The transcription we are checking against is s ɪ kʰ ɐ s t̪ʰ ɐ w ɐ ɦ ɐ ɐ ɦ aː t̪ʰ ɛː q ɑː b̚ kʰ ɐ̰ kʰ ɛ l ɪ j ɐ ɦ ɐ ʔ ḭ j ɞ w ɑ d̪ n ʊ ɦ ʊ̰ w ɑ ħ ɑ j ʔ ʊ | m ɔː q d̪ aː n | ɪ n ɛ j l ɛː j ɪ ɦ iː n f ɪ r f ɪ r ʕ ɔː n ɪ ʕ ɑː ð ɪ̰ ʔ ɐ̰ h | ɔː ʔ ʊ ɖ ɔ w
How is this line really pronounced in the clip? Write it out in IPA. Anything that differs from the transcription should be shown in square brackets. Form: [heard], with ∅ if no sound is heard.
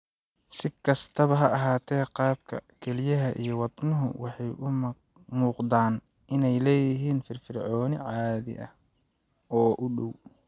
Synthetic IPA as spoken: s ɪ kʰ ɐ s t̪ʰ ɐ [β] ɐ ɦ ɐ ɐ ɦ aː t̪ʰ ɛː q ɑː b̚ kʰ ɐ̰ kʰ ɛ l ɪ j ɐ ɦ ɐ ʔ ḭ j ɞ w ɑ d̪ n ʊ ɦ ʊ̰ w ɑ ħ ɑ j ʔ ʊ | m [uː] q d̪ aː n | ɪ n ɛ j l ɛː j ɪ ɦ iː n f ɪ r f ɪ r ʕ ɔː n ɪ ʕ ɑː ð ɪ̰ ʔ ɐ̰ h | ɔː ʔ ʊ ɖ ɔ w